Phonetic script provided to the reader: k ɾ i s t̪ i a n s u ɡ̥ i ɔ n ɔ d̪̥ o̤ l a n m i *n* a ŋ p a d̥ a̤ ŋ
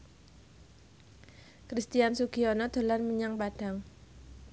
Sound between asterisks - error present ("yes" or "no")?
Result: yes